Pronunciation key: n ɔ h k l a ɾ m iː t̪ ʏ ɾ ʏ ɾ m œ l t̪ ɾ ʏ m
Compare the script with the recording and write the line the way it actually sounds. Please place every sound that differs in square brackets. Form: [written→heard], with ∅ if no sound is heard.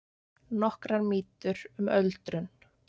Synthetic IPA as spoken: n ɔ h k [l→ɾ] a ɾ m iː t̪ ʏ ɾ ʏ [ɾ→∅] m œ l t̪ ɾ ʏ [m→n]